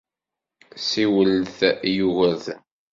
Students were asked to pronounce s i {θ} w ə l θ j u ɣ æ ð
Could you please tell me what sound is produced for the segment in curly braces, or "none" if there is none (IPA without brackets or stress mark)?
none